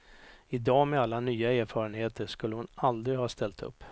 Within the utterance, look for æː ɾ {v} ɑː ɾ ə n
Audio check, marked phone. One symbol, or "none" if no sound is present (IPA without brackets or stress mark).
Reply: f